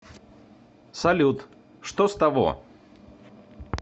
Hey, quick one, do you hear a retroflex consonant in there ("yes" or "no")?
yes